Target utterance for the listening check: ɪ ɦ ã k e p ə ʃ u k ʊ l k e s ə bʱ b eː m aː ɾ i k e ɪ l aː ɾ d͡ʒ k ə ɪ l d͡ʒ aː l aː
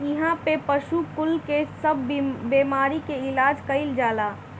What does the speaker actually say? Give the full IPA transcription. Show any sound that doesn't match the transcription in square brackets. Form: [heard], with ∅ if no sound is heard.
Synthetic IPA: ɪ ɦ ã [p] e p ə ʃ u k ʊ l k e s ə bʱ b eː m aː ɾ i k e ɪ l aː [∅] d͡ʒ k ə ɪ l d͡ʒ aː l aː

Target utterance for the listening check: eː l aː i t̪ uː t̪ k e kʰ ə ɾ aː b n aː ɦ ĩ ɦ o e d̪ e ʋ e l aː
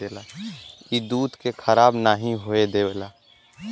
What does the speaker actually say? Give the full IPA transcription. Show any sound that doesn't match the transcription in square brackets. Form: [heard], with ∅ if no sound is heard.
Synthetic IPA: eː l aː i [d̪] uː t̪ k e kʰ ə ɾ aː b n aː ɦ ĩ ɦ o e d̪ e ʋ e l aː

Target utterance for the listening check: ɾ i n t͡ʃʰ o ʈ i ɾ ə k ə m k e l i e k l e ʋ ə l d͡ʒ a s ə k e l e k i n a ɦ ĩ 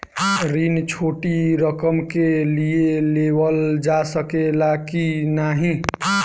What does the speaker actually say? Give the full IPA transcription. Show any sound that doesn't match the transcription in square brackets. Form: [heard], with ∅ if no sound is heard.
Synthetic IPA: ɾ i n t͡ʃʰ o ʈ i ɾ ə k ə m k e l i e [∅] l e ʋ ə l d͡ʒ a s ə k e l [a] k i n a ɦ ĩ

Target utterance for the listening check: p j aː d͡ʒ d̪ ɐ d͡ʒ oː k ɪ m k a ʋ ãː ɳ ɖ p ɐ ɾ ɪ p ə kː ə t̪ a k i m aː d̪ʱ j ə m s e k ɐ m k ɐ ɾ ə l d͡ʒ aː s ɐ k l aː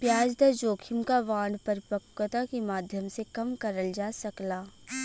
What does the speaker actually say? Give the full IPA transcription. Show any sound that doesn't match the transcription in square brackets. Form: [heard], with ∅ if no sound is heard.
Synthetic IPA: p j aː d͡ʒ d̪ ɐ d͡ʒ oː [kʰ] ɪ m k a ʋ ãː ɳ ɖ p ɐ ɾ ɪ p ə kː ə t̪ a k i m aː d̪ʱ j ə m s e k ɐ m k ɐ ɾ ə l d͡ʒ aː s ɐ k l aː

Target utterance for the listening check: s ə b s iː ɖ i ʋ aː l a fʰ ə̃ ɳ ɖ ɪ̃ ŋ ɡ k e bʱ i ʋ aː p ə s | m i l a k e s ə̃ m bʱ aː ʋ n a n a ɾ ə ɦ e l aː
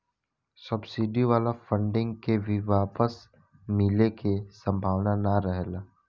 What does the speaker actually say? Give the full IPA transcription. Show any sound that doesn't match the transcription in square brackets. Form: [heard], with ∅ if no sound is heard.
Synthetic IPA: s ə b s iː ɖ i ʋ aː l a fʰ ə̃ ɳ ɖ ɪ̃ ŋ ɡ k e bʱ i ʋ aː p ə s | m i l [e] k e s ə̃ m bʱ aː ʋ n a n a ɾ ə ɦ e l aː

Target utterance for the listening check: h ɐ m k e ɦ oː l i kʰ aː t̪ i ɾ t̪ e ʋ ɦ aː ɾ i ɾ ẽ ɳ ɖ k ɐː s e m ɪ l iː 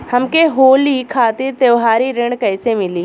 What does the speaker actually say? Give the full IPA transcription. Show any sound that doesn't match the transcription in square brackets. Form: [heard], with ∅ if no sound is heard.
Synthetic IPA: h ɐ m k e ɦ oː l i kʰ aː t̪ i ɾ t̪ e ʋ ɦ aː ɾ i ɾ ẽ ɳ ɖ k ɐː s e m ɪ l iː

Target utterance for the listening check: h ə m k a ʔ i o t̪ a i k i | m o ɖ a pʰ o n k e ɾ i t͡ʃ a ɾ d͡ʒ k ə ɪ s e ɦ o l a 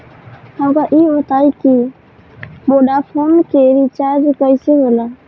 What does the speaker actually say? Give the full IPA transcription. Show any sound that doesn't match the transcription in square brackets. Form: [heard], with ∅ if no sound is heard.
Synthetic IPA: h ə m k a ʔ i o t̪ a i k i | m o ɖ a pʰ o n k e ɾ i t͡ʃ a ɾ d͡ʒ k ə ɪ s e ɦ o l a

